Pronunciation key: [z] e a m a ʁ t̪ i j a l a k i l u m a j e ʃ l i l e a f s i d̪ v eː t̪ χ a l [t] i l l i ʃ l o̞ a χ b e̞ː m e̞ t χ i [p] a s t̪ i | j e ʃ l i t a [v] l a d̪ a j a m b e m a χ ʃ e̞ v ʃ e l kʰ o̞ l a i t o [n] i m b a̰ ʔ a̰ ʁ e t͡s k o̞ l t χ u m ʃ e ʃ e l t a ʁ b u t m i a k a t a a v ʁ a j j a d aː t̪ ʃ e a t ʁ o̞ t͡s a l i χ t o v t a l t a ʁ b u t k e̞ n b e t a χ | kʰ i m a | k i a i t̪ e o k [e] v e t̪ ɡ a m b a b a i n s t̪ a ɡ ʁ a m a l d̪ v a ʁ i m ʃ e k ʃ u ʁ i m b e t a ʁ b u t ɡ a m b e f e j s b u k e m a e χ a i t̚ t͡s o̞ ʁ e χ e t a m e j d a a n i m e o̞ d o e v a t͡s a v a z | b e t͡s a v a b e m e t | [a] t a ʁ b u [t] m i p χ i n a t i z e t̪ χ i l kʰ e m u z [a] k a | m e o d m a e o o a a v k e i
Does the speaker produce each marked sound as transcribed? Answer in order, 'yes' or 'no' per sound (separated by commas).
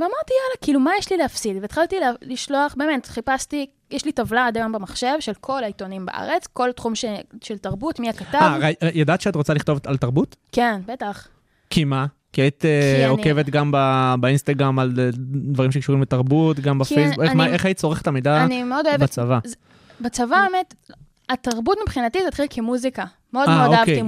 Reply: no, yes, yes, yes, yes, yes, yes, yes, no